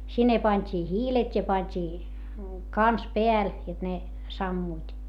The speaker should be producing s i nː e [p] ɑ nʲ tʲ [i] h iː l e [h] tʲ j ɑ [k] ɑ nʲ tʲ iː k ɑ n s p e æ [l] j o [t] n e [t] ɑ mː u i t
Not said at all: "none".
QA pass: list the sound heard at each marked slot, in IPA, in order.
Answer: p, iː, none, p, l, t, s

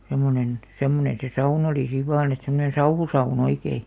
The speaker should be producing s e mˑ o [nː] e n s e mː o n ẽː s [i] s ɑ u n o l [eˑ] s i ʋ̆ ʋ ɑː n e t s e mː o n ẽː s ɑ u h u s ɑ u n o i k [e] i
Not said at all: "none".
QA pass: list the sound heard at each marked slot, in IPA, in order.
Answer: n, e, iˑ, e

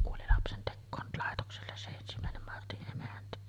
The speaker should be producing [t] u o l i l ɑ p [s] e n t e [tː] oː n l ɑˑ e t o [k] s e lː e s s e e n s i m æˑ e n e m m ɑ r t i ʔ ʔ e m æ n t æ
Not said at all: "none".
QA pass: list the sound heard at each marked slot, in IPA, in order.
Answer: k, s, kː, k

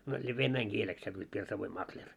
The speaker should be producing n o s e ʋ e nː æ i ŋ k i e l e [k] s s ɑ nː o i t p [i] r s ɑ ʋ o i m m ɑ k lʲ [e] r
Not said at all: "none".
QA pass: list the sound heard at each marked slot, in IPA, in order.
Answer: k, i, e

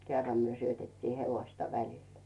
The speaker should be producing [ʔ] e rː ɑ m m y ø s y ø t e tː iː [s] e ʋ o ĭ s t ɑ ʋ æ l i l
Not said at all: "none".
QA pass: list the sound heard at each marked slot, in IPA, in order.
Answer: k, h

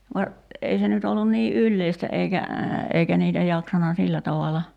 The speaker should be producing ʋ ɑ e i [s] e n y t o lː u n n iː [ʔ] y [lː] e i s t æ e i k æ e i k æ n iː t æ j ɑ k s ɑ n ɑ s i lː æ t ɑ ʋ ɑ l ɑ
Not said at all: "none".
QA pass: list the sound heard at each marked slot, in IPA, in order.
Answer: s, ʔ, lː

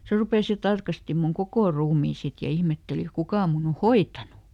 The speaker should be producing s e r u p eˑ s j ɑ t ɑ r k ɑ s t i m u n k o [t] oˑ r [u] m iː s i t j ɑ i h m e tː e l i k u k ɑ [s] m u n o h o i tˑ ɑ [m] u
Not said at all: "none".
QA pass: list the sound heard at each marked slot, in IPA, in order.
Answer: k, uː, none, n

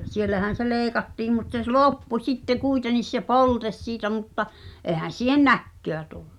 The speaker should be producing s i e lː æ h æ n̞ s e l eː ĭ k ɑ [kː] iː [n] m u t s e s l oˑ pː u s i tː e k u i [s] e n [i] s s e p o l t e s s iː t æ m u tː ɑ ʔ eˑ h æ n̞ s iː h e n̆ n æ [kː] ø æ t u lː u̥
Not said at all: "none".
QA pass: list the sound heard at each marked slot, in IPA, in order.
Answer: tː, m, t, i, kː

